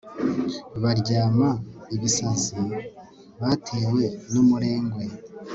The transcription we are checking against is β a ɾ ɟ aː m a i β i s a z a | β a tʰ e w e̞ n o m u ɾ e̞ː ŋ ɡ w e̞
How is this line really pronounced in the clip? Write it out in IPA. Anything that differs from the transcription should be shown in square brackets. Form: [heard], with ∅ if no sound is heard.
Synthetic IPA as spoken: β a ɾ ɟ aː m a i β i s a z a | β a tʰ e w e̞ n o m u ɾ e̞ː ŋ ɡ w e̞